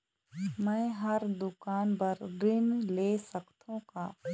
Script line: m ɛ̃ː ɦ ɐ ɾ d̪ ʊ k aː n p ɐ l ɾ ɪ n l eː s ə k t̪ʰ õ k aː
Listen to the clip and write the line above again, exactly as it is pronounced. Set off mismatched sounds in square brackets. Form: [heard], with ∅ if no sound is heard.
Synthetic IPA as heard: m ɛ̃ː ɦ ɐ ɾ d̪ ʊ k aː n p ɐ [ɾ] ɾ ɪ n l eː s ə k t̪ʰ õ k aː